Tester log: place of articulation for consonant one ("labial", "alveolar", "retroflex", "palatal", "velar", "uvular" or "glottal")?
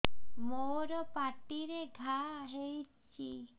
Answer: labial